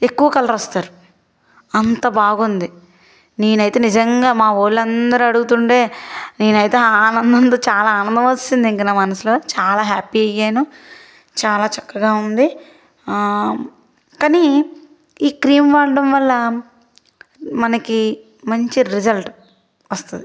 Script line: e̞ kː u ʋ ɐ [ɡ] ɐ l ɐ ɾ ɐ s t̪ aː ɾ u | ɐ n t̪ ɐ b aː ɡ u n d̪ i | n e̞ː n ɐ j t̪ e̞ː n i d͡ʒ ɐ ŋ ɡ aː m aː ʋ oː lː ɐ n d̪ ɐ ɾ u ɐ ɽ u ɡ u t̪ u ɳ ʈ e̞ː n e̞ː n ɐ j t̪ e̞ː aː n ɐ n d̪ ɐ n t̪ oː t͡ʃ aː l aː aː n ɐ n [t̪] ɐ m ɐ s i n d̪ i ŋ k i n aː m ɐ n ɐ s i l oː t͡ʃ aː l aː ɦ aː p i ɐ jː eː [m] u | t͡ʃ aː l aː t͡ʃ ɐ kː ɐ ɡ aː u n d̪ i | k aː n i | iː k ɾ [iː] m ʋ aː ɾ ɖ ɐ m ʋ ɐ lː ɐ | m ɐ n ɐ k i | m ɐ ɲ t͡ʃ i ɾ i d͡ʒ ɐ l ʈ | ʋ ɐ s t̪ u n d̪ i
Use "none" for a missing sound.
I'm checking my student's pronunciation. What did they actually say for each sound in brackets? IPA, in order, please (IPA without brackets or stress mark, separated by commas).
k, d̪, n, iː